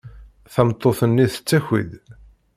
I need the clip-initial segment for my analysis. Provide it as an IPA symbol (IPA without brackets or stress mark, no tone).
θ